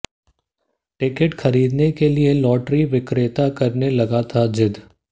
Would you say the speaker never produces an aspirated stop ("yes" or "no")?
no